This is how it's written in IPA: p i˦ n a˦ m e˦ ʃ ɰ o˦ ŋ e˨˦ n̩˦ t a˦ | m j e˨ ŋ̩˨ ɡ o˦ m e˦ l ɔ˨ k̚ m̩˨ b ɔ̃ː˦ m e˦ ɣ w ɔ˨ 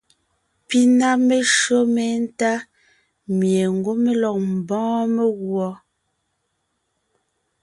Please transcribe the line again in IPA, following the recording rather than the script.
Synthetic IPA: p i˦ n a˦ m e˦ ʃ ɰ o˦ m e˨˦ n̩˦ t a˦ | m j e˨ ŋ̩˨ ɡ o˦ m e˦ l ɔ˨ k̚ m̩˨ b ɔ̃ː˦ m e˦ ɣ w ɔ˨